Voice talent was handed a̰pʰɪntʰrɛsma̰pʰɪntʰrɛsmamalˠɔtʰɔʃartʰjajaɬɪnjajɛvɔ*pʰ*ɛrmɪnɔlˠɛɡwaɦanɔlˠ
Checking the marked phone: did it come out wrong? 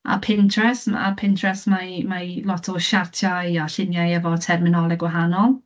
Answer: yes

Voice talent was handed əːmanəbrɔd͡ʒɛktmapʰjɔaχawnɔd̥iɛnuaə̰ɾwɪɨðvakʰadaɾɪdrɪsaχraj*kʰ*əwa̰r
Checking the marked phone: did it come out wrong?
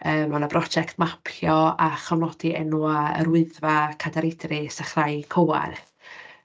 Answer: no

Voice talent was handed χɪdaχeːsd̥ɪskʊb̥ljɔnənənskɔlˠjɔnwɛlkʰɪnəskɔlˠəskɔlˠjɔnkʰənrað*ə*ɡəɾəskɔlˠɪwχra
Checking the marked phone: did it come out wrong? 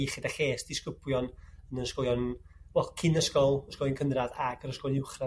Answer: yes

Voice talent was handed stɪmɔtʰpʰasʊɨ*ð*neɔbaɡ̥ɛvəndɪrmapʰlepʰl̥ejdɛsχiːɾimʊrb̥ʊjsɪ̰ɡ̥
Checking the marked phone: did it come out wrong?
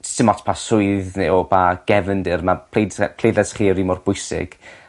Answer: no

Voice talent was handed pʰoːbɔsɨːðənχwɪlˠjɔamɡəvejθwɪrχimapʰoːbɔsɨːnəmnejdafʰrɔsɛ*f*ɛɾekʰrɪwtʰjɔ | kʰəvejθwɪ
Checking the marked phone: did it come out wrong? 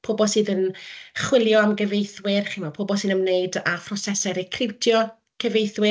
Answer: yes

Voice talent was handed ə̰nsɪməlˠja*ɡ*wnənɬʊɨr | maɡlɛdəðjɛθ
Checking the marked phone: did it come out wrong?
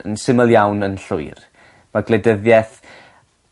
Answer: yes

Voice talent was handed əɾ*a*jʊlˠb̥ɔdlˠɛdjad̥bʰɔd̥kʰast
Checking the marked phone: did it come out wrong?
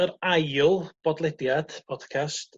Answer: no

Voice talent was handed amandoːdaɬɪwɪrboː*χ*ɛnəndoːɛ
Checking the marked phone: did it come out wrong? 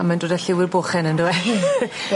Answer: no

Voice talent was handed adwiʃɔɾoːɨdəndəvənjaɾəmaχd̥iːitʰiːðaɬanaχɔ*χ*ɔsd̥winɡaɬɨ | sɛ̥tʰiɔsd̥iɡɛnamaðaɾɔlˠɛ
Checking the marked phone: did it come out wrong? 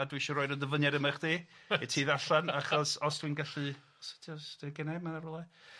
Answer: yes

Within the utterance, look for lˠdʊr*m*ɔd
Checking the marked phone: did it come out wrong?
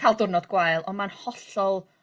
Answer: yes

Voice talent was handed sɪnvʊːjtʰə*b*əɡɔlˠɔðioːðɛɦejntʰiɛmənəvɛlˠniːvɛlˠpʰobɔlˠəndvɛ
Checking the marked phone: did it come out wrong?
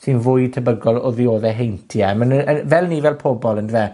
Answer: no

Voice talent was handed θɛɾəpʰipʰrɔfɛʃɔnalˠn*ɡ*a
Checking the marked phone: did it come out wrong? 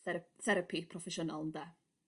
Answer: yes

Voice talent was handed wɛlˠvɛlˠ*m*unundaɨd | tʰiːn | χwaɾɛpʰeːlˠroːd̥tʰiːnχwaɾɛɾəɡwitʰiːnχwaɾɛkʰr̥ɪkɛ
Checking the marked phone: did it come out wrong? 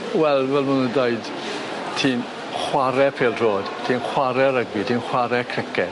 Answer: no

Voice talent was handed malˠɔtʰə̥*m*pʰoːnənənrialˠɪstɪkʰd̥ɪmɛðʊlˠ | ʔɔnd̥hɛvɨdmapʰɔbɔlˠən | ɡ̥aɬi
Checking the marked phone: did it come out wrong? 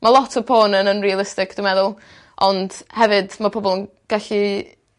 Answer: yes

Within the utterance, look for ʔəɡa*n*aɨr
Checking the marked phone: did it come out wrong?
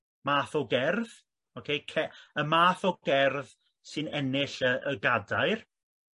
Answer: yes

